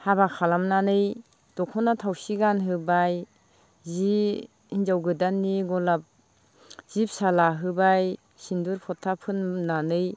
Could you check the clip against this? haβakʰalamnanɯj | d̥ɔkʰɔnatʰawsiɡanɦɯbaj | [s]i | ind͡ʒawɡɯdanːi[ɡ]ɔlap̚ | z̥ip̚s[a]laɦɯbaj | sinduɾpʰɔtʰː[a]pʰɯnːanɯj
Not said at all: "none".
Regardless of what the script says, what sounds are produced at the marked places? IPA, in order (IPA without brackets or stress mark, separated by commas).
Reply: z, ɡ, a, a